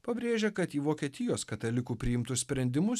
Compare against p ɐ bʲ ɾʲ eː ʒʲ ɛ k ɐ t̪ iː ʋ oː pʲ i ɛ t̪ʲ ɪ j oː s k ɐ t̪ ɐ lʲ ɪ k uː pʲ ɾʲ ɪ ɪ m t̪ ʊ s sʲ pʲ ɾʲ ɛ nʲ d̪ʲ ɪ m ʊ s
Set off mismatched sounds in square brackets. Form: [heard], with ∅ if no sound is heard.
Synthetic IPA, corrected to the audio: p ɐ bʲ ɾʲ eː ʒʲ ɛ k ɐ t̪ iː ʋ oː [kʲ] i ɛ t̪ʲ ɪ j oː s k ɐ t̪ ɐ lʲ ɪ k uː pʲ ɾʲ ɪ ɪ m t̪ ʊ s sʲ pʲ ɾʲ ɛ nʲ d̪ʲ ɪ m ʊ s